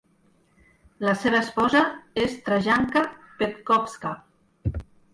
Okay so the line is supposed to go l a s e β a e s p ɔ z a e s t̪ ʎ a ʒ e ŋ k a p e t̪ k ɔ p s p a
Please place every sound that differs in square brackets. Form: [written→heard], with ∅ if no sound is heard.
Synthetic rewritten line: l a s e β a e s p ɔ z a e s t̪ [ʎ→ɾ] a ʒ [e→a] ŋ k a p e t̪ k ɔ p s [p→k] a